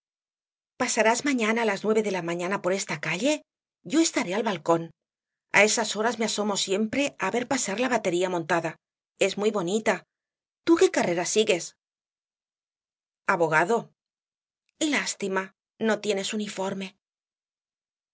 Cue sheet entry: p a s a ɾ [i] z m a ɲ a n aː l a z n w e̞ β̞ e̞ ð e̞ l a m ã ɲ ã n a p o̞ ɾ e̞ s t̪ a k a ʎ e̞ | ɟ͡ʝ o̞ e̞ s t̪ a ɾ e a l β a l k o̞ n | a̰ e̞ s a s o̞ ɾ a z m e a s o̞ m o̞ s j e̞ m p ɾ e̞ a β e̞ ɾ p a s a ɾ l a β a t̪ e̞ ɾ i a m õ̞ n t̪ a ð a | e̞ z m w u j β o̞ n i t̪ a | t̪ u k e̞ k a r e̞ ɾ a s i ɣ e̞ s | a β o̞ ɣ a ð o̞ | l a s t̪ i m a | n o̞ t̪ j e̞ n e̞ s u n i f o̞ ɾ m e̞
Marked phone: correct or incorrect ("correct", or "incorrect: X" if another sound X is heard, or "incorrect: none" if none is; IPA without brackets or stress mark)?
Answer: incorrect: a